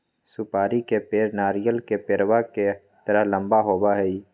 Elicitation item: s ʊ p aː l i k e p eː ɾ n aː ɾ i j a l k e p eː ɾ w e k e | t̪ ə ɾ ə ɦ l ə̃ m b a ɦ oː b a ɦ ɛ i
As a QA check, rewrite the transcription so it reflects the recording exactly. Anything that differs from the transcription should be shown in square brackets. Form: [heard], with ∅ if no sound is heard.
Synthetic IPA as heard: s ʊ p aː [ɾ] i k e p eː ɾ n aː ɾ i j [ə] l k e p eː ɾ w [a] k e | t̪ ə ɾ ə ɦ l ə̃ m b a ɦ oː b a ɦ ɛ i